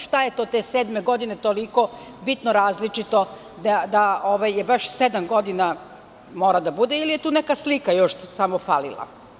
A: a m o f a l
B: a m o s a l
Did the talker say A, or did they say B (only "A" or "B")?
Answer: A